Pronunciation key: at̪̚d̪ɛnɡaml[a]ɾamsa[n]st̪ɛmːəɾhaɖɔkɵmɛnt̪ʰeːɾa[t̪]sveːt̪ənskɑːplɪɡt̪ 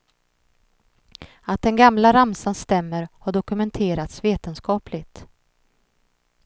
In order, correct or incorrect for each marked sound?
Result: correct, correct, correct

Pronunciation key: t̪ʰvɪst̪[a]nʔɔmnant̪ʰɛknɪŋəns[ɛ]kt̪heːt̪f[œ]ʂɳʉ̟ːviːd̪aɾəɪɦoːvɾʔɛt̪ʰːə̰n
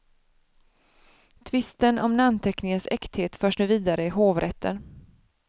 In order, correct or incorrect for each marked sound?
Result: incorrect: ə, correct, incorrect: œː

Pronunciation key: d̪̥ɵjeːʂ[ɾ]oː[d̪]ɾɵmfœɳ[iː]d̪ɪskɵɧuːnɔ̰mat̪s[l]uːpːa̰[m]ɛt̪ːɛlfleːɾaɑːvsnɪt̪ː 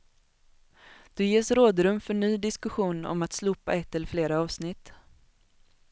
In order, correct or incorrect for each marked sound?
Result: correct, correct, incorrect: yː, correct, incorrect: none

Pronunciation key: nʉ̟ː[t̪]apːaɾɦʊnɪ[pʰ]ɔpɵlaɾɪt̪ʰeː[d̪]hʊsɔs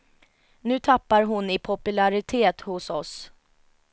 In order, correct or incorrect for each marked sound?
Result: incorrect: t̪ʰ, correct, incorrect: t̪

